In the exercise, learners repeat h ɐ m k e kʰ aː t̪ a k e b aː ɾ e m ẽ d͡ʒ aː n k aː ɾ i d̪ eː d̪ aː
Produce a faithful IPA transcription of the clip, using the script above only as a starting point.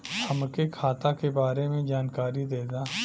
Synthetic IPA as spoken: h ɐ m k e kʰ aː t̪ a k e b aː ɾ e m ẽ d͡ʒ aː n k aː ɾ i d̪ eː d̪ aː